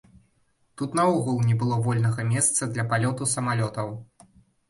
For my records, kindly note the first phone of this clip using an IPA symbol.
t̪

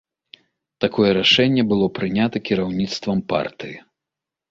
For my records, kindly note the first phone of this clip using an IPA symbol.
t̪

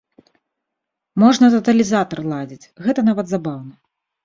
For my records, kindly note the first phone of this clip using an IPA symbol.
m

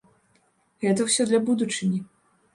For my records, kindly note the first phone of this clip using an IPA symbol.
ɣ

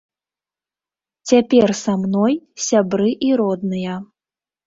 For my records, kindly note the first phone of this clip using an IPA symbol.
t͡sʲ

